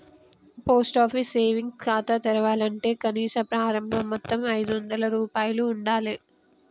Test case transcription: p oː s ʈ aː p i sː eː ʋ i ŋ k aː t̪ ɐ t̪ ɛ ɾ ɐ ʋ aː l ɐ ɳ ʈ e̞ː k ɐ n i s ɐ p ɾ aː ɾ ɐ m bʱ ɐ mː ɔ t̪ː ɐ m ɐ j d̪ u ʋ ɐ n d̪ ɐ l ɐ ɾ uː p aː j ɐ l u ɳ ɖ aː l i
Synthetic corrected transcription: p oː s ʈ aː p i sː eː ʋ i ŋ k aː t̪ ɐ t̪ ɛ ɾ ɐ ʋ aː l ɐ ɳ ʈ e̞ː k ɐ n iː s ɐ p ɾ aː ɾ ɐ m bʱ ɐ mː ɔ t̪ː ɐ m ɐ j d̪ u ʋ ɐ n d̪ ɐ l ɐ ɾ uː p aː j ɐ l uː ɳ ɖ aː l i